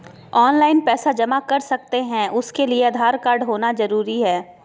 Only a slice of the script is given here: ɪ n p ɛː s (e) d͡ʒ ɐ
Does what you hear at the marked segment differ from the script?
yes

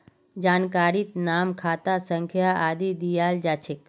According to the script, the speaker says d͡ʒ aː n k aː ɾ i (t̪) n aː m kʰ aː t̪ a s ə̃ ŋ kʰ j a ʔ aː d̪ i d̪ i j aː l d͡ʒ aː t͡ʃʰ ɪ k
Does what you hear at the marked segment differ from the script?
no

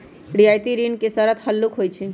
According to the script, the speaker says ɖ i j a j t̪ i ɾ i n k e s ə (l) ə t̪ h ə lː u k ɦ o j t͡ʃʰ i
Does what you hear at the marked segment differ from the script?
yes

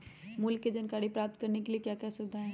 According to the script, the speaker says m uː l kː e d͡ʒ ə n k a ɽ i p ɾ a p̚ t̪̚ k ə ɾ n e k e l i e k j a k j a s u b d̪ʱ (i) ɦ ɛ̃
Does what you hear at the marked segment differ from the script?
yes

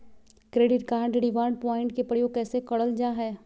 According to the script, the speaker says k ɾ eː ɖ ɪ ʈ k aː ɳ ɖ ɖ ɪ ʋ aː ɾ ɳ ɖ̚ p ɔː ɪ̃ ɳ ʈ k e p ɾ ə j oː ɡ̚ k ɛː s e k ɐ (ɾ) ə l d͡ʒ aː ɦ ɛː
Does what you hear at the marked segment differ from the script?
yes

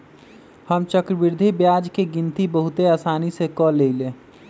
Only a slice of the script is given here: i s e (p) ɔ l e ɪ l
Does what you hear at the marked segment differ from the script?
yes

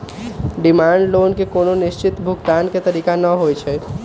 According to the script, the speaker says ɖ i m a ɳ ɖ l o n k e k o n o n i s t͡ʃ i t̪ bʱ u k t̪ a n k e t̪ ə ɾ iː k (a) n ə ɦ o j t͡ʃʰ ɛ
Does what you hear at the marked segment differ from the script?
no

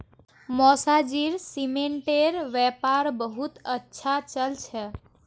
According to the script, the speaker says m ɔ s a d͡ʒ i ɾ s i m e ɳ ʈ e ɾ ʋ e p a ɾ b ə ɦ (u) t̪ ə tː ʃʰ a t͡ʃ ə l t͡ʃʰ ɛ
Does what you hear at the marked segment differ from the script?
no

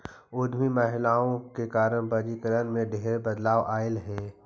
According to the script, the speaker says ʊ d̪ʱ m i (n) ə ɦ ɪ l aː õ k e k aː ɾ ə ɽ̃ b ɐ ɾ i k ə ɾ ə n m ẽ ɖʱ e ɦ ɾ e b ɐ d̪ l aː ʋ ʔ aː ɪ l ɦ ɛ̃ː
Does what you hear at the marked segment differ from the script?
yes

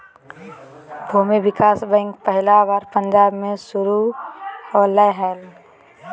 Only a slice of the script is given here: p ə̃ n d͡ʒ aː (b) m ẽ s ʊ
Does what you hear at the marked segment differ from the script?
no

